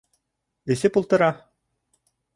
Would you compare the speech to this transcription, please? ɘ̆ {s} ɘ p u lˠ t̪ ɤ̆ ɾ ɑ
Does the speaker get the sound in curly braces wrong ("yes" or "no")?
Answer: no